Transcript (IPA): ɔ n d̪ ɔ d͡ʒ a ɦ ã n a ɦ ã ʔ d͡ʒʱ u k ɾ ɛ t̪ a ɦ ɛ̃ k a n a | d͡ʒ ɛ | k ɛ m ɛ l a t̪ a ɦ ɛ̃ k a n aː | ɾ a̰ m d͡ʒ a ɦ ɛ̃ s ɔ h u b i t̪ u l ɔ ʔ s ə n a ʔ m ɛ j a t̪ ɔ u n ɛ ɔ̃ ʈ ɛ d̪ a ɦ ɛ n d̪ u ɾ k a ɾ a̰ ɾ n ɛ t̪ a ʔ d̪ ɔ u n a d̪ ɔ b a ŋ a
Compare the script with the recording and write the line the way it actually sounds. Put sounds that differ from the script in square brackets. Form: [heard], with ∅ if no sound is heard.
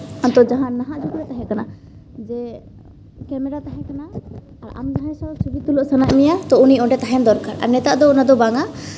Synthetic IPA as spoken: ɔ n [t̪] ɔ d͡ʒ a ɦ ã n a ɦ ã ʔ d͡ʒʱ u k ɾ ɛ t̪ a ɦ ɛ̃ k a n a | d͡ʒ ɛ | k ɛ m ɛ [ɾ] a t̪ a ɦ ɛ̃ k a n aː | ɾ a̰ m d͡ʒ a ɦ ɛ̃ s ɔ [s] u b i t̪ u l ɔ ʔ s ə n a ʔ m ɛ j a t̪ ɔ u n [i] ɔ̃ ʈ ɛ [t̪] a ɦ ɛ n d̪ [ɔ] ɾ k a ɾ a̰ ɾ n ɛ t̪ a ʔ d̪ ɔ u n a d̪ ɔ b a ŋ a